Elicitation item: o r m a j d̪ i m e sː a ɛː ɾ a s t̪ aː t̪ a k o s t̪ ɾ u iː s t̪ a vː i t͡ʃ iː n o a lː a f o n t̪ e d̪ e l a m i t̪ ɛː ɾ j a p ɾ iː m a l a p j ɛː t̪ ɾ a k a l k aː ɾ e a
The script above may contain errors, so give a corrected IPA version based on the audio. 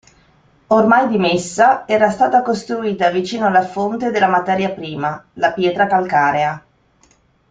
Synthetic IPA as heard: o r m a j d̪ i m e sː a ɛː ɾ a s t̪ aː t̪ a k o s t̪ ɾ u iː t̪ a v i t͡ʃ iː n o a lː a f o n t̪ e d̪ e l a m a t̪ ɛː ɾ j a p ɾ iː m a l a p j ɛː t̪ ɾ a k a l k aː ɾ e a